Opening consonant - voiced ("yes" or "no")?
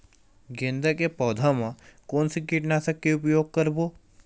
yes